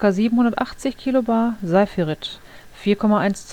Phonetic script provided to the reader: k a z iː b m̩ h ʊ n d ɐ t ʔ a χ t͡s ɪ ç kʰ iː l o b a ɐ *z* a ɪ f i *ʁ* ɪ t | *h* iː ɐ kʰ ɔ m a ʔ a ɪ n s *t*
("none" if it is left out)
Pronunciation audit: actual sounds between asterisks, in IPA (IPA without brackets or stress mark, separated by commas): z, ʁ, f, t͡s